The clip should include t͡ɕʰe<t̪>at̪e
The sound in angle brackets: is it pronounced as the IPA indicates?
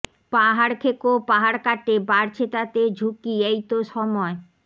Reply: yes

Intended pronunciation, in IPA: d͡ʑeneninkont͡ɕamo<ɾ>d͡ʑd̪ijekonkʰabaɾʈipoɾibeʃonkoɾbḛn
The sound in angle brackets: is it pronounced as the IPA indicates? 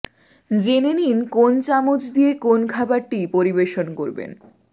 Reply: no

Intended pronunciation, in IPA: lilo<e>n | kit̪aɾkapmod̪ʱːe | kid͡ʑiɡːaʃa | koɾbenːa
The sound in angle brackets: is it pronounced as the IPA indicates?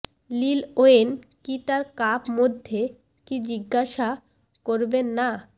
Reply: yes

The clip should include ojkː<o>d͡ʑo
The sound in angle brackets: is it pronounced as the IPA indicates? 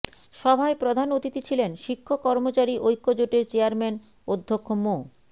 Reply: yes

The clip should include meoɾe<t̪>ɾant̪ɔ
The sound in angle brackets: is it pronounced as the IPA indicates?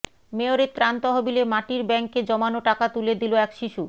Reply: yes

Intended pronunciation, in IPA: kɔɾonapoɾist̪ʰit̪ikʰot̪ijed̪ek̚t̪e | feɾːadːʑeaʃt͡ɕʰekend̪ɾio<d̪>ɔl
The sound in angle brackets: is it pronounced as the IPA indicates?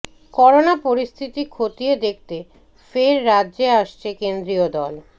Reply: yes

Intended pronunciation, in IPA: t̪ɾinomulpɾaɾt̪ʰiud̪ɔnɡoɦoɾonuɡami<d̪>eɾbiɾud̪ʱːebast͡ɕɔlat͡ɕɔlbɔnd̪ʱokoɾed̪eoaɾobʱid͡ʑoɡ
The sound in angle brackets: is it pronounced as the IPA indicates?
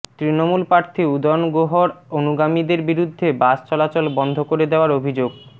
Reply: yes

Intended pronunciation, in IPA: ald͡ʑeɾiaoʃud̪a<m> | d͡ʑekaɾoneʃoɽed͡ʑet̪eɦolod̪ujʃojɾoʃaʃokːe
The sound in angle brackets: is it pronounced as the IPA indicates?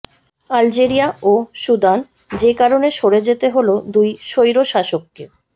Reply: no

